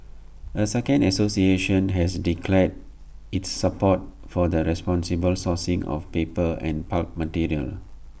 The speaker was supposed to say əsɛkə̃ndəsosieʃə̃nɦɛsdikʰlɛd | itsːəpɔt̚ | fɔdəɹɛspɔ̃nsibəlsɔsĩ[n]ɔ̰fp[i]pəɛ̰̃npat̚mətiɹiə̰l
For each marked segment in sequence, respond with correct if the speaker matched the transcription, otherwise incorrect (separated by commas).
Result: incorrect, incorrect